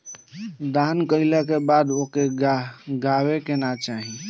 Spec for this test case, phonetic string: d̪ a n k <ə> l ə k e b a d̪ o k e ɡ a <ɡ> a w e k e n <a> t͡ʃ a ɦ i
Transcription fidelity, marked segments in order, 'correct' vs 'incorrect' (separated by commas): correct, correct, correct